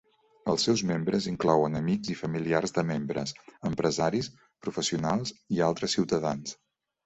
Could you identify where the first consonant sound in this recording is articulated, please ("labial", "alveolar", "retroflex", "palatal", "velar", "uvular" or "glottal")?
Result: alveolar